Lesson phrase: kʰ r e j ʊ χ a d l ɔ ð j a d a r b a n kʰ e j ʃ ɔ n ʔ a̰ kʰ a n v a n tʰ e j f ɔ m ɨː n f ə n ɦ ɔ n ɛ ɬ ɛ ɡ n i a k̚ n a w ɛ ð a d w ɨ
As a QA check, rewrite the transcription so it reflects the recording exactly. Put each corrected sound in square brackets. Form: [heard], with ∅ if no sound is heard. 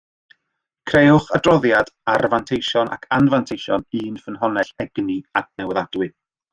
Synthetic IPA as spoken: kʰ r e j ʊ χ a d [r] ɔ ð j a d a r [v] a n [tʰ] e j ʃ ɔ n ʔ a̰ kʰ a n v a n tʰ e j [ʃ] ɔ [n] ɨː n f ə n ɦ ɔ n ɛ ɬ ɛ ɡ n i a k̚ n [ɛ] w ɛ ð a d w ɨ